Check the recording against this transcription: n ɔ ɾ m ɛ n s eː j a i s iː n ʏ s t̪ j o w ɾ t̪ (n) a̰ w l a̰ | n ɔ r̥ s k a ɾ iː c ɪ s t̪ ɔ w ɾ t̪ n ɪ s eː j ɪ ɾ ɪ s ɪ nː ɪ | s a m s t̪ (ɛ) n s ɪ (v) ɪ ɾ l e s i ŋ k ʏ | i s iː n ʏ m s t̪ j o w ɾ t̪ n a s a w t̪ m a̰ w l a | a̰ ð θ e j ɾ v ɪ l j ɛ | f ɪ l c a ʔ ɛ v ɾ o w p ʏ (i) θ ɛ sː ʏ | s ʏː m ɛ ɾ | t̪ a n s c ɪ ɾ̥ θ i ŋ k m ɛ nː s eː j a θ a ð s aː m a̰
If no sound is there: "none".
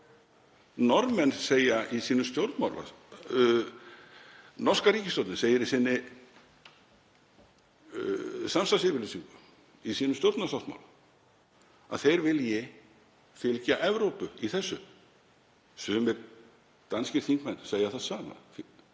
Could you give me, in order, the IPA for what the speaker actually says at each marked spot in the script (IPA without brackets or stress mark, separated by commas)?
m, a, v, i